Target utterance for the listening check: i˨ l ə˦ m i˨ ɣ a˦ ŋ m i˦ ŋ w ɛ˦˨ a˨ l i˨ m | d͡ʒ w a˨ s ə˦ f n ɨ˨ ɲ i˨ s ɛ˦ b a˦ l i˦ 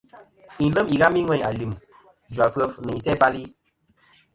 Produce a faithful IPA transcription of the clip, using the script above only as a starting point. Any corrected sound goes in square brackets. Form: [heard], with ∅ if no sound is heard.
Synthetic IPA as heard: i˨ l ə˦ m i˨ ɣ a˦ [∅] m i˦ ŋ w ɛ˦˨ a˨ l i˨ m | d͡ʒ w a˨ [f] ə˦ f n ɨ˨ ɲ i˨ s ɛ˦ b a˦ l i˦